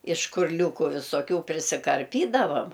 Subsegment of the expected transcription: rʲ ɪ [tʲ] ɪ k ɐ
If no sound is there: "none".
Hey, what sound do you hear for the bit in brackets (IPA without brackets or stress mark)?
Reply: sʲ